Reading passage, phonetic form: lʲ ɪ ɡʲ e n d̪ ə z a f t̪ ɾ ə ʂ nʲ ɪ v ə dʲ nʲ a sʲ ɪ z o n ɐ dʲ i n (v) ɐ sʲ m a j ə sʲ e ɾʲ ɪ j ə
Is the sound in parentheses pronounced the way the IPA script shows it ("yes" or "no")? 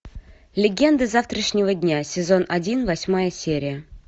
yes